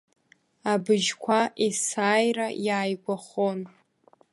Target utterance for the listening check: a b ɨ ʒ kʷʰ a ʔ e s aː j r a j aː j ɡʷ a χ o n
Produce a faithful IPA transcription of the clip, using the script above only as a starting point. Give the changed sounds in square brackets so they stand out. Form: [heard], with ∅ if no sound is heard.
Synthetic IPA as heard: a b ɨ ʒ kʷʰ a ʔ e s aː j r a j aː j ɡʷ a χ o n